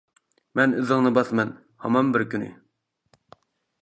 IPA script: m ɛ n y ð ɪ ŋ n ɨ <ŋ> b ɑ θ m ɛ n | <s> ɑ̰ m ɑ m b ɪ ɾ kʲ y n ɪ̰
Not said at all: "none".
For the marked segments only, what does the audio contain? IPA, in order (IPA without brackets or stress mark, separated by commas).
none, h